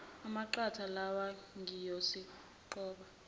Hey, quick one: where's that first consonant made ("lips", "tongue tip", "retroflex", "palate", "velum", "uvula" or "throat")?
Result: lips